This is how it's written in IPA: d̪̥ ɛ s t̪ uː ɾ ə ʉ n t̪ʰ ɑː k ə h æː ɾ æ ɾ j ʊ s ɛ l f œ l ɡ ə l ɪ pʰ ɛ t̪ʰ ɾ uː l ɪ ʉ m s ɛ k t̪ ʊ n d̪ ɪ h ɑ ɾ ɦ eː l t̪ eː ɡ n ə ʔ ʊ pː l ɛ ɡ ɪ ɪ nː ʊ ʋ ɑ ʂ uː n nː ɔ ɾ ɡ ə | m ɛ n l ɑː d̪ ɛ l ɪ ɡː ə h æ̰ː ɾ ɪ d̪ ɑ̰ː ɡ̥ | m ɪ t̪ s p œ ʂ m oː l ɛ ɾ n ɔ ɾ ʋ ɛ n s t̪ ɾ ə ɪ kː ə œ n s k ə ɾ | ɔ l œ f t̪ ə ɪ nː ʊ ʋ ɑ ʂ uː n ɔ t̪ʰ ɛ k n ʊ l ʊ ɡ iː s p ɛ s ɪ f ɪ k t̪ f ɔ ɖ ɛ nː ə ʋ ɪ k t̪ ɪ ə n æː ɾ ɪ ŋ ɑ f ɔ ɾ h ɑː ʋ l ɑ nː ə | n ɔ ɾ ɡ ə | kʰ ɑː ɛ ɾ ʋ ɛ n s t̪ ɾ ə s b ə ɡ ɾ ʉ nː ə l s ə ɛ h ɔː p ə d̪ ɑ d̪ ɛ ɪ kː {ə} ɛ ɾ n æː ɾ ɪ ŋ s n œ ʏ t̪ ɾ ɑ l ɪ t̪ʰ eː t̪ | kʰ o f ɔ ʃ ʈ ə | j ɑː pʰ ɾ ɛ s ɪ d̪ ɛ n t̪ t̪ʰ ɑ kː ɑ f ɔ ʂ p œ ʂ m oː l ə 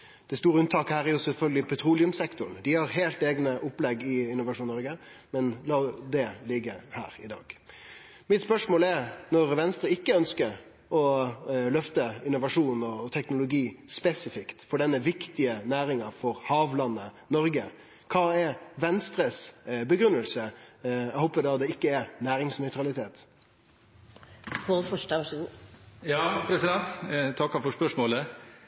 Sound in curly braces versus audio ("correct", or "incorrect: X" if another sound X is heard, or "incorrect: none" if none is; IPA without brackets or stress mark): correct